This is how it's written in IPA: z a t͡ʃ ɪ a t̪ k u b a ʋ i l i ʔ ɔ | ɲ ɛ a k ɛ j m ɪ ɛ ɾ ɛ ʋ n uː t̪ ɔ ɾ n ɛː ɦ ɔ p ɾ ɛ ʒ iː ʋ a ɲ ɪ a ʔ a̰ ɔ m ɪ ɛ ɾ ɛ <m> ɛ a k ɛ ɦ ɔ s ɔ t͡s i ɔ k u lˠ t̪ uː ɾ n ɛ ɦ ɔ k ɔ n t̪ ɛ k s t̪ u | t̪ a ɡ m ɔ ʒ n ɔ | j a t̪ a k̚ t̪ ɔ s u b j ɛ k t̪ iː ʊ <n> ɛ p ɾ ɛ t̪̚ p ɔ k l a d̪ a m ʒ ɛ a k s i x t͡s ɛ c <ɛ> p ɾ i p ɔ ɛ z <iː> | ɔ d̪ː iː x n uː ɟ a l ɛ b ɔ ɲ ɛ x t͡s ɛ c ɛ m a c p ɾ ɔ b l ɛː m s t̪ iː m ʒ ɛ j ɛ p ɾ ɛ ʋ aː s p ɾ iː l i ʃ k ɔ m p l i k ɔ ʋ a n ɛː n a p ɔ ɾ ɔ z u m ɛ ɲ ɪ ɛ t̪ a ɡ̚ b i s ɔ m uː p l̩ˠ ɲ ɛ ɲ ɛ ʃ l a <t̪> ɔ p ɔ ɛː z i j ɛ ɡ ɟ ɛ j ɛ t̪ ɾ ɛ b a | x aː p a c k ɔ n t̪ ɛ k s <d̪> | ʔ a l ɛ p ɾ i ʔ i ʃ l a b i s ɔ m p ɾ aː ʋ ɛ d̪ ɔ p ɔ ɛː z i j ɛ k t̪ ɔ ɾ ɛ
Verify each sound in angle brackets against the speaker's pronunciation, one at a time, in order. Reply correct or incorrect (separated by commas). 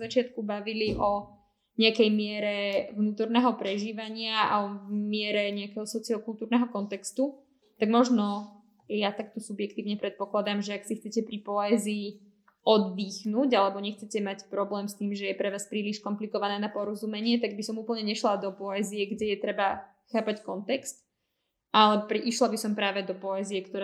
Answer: incorrect, incorrect, correct, correct, incorrect, incorrect